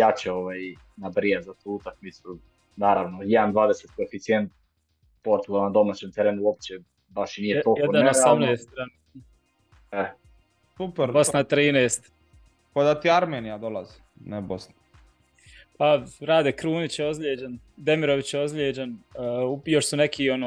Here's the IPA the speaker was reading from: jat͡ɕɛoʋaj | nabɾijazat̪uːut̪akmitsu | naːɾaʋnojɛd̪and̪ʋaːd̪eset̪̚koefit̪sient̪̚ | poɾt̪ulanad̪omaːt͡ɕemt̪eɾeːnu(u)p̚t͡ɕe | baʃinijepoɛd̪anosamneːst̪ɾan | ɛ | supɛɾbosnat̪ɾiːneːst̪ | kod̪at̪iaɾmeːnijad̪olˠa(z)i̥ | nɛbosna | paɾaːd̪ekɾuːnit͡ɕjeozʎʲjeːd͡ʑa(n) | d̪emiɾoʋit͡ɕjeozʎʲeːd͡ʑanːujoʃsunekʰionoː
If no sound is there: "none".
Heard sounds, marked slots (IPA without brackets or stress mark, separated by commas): o, z, n